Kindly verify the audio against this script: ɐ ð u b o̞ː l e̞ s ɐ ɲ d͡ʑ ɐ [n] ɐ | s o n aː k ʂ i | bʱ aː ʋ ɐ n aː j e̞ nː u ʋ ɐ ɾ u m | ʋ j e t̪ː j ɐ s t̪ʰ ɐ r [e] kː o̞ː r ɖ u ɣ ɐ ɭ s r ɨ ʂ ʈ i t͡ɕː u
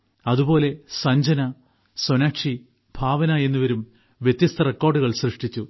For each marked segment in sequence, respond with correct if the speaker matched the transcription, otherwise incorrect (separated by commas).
correct, correct